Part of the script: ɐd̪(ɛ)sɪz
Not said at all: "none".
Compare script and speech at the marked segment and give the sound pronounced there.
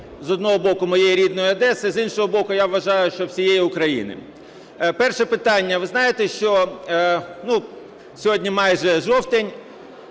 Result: ɛ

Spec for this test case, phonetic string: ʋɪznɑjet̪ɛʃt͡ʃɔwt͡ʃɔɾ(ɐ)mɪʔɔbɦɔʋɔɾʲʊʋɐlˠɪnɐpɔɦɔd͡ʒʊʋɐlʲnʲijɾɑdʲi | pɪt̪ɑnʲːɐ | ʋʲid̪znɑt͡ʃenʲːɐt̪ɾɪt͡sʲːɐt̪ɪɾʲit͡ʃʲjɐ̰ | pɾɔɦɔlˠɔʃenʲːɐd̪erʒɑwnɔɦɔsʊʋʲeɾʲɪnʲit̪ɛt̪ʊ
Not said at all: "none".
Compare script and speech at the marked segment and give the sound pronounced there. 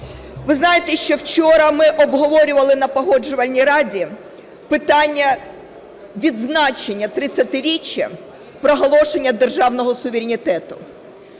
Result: ɐ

